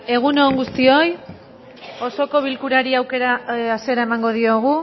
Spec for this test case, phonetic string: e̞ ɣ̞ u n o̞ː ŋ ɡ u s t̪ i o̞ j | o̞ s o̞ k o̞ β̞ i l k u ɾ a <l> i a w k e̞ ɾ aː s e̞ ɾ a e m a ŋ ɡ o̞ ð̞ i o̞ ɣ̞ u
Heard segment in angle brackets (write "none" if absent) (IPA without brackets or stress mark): ɾ